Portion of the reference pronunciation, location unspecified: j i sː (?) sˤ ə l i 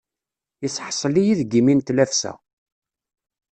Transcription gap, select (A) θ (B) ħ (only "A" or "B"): B